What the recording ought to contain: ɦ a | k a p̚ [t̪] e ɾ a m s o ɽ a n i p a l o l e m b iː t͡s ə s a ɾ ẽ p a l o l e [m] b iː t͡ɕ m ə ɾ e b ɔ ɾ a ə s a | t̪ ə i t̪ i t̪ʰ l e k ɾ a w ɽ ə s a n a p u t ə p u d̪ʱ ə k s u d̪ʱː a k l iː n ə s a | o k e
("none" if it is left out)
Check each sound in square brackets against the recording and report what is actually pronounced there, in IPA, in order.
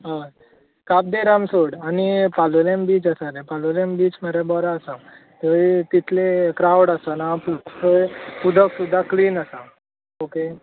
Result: d̪, m

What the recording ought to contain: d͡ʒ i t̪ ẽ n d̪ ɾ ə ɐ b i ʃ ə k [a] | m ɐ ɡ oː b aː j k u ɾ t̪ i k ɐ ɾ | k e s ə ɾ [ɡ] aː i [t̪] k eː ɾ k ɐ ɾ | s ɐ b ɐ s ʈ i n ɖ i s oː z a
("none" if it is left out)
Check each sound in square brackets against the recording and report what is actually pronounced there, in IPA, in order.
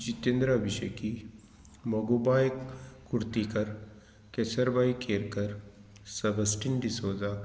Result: i, b, none

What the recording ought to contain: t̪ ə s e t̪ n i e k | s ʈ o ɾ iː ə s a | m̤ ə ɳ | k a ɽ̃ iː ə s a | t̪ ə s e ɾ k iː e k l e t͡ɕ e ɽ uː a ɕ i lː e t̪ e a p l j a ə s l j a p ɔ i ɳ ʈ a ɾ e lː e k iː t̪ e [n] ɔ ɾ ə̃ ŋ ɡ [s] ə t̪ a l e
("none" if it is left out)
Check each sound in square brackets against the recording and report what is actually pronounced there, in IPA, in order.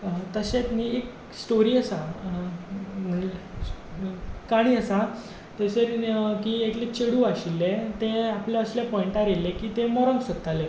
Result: m, s

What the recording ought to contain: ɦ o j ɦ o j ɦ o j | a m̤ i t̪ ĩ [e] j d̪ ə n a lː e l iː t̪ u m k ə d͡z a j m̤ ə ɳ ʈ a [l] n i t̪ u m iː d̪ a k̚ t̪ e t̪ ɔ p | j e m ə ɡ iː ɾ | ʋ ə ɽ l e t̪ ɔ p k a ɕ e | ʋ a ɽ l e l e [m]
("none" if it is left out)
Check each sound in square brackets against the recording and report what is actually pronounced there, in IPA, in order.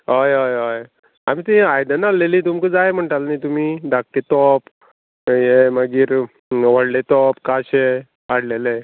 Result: a, l, none

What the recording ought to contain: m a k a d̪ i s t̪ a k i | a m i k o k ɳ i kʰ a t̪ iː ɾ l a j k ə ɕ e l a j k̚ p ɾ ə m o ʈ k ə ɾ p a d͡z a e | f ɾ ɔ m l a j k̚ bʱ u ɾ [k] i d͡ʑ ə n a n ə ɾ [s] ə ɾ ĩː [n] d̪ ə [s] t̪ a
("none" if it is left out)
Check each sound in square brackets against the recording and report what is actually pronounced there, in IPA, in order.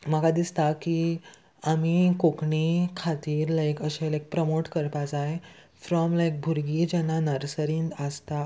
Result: ɡ, s, n, s

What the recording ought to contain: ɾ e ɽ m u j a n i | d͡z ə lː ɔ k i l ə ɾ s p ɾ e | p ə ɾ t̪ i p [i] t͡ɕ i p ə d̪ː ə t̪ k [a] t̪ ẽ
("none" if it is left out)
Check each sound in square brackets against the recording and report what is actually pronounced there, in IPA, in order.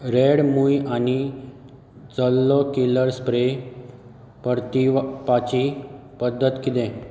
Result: a, i

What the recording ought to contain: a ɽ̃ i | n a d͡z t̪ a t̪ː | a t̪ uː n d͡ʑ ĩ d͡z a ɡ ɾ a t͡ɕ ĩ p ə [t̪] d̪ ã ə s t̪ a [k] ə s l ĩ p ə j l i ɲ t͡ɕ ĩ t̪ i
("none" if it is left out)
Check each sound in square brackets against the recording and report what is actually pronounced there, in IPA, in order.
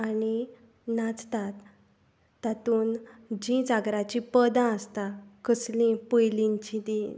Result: none, k

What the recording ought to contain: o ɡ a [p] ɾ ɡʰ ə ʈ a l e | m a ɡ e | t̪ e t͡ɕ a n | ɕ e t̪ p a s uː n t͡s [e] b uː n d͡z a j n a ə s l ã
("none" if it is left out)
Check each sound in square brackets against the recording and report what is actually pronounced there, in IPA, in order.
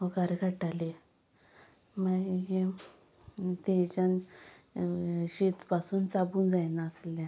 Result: none, a

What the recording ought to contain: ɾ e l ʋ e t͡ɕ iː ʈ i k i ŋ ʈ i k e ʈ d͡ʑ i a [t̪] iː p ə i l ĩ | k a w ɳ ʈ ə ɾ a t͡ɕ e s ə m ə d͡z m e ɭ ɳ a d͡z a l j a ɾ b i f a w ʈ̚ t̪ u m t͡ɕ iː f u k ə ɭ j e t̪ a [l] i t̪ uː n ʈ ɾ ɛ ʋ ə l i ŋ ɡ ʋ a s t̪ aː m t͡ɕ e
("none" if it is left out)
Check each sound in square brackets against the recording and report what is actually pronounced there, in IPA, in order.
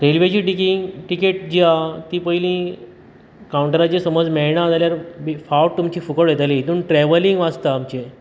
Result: t̪, l

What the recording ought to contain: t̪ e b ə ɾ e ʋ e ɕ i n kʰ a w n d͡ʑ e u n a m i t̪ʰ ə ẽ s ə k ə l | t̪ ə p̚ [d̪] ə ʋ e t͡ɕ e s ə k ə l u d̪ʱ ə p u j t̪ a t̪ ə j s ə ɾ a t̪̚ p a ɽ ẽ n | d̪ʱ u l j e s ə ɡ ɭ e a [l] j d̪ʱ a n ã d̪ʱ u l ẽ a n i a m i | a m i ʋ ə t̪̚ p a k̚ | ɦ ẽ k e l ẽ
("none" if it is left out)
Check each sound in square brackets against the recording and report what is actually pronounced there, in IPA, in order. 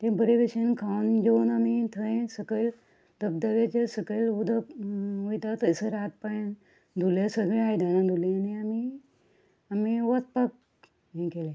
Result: d̪, none

